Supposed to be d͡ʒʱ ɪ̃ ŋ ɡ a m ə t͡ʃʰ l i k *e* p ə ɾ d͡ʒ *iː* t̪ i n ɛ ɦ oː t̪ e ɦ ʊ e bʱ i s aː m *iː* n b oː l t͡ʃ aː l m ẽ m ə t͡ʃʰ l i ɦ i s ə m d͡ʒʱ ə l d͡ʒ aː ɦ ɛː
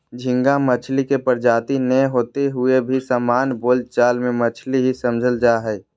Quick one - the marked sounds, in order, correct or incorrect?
correct, incorrect, incorrect

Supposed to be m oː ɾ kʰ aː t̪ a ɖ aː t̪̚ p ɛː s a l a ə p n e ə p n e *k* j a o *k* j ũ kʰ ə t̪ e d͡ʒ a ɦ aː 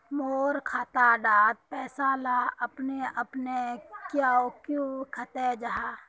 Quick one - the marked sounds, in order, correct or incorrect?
correct, correct

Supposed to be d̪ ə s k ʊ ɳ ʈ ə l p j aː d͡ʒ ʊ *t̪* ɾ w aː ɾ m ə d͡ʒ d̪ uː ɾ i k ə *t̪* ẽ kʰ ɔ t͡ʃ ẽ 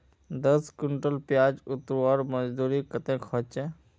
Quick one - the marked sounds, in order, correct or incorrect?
correct, correct

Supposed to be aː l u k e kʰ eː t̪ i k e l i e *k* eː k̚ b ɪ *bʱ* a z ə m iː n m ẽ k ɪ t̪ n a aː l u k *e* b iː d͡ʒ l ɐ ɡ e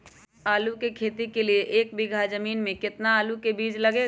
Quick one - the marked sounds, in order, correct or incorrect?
incorrect, incorrect, correct

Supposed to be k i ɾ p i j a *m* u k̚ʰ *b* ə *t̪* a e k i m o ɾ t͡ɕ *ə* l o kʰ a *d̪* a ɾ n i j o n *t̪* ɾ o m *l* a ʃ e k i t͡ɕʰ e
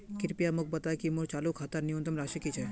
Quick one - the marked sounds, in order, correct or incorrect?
correct, correct, correct, incorrect, incorrect, correct, incorrect

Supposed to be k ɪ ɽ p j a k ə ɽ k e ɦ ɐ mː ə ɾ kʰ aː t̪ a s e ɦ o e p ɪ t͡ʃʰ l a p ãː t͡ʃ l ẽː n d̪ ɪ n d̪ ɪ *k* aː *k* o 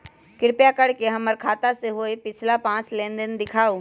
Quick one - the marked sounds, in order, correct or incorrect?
incorrect, incorrect

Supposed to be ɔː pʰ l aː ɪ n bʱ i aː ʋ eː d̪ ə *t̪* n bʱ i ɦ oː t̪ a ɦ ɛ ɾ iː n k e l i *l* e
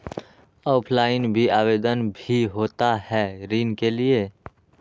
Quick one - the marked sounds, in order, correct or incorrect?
incorrect, incorrect

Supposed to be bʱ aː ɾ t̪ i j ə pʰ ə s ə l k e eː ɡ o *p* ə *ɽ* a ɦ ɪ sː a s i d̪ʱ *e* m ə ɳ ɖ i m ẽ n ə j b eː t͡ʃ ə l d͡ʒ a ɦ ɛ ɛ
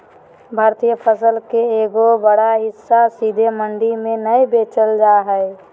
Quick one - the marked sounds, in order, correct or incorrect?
incorrect, correct, correct

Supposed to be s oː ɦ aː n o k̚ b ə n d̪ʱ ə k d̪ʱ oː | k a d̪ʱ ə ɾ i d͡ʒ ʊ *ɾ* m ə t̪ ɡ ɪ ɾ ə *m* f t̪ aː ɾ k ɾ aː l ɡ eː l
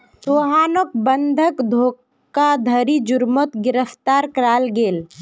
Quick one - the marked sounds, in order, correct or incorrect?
correct, incorrect

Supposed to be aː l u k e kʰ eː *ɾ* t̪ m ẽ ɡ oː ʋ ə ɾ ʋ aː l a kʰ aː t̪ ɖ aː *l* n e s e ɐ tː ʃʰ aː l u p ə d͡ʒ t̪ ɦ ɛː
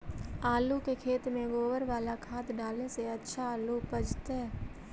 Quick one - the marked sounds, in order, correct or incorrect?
incorrect, correct

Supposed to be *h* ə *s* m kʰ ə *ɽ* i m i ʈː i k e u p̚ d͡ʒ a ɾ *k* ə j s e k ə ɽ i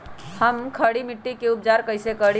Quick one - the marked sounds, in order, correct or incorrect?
correct, incorrect, correct, correct

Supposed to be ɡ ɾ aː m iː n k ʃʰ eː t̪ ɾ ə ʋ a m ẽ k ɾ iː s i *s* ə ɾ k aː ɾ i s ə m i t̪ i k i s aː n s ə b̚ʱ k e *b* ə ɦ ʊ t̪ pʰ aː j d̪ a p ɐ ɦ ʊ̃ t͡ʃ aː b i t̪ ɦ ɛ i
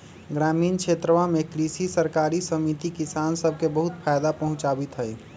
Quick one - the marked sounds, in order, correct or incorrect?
correct, correct

